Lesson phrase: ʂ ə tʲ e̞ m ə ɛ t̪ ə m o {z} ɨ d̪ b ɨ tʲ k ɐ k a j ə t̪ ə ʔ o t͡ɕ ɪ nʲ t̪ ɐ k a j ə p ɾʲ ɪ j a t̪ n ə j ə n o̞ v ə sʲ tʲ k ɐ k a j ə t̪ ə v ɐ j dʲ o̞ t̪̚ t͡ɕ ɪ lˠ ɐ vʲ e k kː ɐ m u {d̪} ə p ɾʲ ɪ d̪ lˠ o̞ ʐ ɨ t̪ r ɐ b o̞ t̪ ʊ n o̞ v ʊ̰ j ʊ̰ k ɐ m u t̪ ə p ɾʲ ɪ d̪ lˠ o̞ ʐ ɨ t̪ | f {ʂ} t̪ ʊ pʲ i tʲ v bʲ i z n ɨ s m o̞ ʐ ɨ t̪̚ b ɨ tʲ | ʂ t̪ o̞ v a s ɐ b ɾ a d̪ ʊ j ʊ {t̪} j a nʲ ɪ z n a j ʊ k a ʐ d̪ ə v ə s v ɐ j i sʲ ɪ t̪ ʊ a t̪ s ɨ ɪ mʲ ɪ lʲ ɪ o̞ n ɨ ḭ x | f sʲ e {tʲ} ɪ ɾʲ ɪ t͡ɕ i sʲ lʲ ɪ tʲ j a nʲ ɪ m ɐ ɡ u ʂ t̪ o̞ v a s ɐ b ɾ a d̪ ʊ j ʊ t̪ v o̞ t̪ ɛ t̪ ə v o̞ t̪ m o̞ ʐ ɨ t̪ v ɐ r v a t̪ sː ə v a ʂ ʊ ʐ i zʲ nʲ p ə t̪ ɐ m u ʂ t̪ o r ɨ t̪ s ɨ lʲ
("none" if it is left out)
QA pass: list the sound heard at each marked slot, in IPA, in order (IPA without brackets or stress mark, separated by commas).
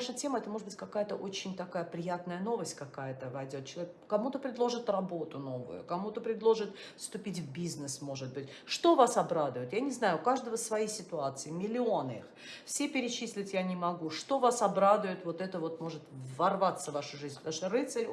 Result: ʐ, t̪, s, t̪, pʲ